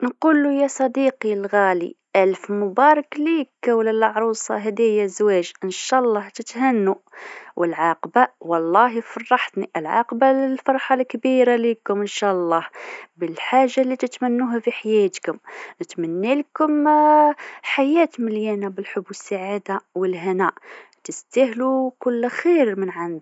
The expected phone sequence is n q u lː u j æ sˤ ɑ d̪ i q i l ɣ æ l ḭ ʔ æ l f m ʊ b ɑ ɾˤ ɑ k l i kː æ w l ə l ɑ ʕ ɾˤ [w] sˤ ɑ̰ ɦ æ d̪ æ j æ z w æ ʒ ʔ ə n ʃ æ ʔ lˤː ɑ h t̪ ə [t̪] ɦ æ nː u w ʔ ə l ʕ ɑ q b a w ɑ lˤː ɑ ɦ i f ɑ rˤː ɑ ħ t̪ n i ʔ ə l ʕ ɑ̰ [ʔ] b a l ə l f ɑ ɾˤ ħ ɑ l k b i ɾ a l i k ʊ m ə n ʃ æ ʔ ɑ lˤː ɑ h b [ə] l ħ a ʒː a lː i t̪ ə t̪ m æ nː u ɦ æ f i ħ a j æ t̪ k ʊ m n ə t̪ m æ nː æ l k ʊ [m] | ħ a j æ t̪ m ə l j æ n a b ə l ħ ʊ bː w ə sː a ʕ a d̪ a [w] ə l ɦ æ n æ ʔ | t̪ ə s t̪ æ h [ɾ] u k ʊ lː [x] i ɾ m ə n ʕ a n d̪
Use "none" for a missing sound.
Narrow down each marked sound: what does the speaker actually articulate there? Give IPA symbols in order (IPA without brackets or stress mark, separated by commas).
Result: u, t̪, q, ə, m, w, l, x